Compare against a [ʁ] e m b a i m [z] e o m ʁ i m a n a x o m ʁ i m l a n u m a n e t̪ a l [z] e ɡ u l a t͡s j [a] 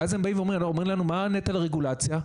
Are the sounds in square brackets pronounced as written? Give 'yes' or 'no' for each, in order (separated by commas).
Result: no, no, no, yes